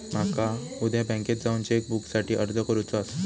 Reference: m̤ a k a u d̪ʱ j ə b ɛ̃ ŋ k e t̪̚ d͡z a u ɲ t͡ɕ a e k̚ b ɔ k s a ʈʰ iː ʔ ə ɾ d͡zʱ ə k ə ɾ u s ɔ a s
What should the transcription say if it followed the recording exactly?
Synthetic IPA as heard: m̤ a k a u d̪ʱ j a b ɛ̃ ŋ k e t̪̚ d͡z a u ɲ t͡ɕ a e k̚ b u k s a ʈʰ iː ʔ ə ɾ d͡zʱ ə k ə ɾ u t͡s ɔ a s

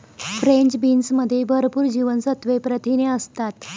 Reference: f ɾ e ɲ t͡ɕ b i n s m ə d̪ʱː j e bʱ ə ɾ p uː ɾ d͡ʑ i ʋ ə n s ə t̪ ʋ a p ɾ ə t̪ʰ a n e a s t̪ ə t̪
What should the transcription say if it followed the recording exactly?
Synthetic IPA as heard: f ɾ e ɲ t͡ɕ b i n s m ə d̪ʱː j e bʱ ə ɾ p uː ɾ d͡ʑ i ʋ ə n s ə t̪ ʋ e p ɾ ə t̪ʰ i n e ə s t̪ a t̪

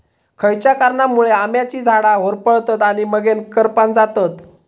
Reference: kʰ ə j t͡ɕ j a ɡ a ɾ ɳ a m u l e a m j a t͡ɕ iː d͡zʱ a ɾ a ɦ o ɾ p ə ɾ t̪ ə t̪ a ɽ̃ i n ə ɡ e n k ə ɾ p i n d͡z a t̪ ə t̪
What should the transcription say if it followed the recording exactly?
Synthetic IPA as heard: kʰ ə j t͡ɕ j a k a ɾ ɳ a m u ɭ e a m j a t͡ɕ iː d͡zʱ a ɽ a ɦ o ɾ p ə ɭ t̪ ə t̪ a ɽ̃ i m ə ɡ e n k ə ɾ p a n d͡z a t̪ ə t̪

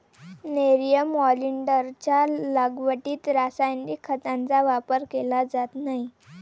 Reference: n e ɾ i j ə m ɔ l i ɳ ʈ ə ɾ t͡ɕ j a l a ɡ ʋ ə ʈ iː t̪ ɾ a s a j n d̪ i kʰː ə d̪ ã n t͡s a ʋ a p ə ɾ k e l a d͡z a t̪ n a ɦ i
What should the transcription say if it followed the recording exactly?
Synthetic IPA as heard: n e ɾ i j ə m ɔ l i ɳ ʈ ə ɾ t͡ɕ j a l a ɡ ʋ ə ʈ iː t̪ ɾ a s a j n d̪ i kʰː ə t̪ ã n t͡s a ʋ a p ə ɾ k e l a d͡z a t̪ n a ɦ i

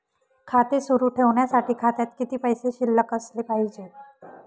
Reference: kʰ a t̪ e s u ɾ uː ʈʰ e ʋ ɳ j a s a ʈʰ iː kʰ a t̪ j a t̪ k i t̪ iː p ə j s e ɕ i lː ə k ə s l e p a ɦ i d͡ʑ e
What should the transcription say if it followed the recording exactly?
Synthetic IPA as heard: kʰ a t̪ e s u ɾ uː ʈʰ e ʋ ɳ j a s a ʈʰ iː kʰ a t̪ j a t̪ k i t̪ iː p ə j s e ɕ i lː ə k ə s l e p a ɦ i d͡ʑ e

